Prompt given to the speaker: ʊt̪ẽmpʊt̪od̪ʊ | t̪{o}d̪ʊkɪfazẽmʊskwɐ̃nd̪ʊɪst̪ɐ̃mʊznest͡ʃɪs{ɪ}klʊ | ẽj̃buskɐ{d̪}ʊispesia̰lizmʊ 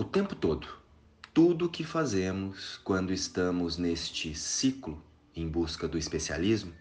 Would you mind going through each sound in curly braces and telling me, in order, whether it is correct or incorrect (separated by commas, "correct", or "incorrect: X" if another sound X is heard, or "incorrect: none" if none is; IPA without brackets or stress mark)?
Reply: incorrect: u, incorrect: i, correct